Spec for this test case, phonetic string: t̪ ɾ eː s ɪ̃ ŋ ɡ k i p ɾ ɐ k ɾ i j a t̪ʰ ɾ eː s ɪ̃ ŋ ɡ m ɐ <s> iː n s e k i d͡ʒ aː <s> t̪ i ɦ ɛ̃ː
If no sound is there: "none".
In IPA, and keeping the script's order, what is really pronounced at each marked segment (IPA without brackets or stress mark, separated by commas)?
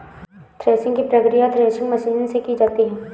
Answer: ʃ, none